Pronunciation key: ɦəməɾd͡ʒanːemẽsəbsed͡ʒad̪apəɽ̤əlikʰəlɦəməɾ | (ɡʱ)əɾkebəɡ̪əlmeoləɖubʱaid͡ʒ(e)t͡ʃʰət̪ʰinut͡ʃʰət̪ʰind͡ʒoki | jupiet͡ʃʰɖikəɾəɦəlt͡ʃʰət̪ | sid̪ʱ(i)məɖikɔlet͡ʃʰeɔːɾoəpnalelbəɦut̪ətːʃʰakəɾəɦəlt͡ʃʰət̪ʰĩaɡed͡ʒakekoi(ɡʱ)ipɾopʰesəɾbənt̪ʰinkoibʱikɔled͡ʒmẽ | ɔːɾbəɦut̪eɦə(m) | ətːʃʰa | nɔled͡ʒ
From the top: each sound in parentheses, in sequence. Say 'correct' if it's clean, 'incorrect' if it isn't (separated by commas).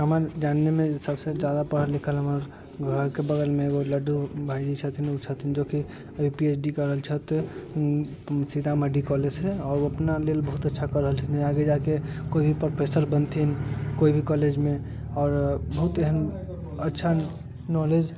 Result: correct, incorrect, incorrect, incorrect, incorrect